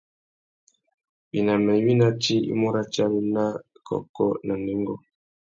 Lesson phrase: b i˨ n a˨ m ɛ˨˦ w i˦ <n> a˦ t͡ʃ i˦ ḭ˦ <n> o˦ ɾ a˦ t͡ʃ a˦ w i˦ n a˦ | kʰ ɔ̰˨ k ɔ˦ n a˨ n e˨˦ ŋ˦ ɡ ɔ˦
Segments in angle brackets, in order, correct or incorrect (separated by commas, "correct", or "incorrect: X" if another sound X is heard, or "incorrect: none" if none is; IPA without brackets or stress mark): correct, incorrect: m